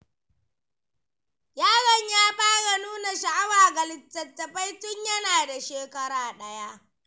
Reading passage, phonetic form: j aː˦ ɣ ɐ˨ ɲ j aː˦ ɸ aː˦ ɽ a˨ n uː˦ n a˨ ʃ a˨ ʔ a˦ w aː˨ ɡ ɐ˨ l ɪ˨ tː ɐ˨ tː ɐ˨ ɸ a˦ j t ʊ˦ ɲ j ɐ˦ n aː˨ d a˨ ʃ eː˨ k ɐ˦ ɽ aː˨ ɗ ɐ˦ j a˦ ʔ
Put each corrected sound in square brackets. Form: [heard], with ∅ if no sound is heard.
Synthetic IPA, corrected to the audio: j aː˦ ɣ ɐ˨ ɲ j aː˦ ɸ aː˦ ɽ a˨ n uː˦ n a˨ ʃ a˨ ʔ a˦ w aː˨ ɡ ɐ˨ l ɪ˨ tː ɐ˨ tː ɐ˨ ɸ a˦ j t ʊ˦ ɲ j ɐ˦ n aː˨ d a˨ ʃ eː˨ k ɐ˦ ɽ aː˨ ɗ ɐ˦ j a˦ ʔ